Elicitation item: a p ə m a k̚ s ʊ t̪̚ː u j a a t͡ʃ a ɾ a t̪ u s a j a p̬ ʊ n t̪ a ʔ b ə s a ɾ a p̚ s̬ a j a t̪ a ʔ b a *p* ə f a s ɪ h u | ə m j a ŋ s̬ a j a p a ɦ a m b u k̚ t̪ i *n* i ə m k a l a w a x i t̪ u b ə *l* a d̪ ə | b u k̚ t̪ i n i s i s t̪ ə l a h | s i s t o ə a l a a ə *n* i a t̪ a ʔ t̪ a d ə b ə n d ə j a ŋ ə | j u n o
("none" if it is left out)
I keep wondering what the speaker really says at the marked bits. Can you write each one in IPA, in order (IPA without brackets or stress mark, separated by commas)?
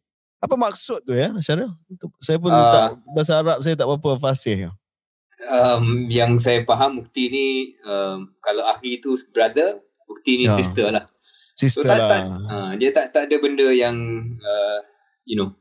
p, n, ɾ, d